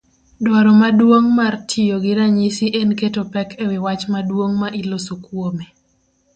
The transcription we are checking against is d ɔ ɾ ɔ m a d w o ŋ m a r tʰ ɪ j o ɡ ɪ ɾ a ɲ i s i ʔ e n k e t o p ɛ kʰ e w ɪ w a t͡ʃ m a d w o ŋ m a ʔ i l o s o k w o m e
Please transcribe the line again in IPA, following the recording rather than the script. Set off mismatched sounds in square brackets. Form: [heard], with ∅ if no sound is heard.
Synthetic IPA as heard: d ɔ ɾ ɔ m a d w o ŋ m a r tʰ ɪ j o ɡ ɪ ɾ a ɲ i s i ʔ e n k e t o p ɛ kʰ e w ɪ w a t͡ʃ m a d w o ŋ m a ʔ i l o s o k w o m e